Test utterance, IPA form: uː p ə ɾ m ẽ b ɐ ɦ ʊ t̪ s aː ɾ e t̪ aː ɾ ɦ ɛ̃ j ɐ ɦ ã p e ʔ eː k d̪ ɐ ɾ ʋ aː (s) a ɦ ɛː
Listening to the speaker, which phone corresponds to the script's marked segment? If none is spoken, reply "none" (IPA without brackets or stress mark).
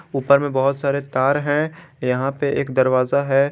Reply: z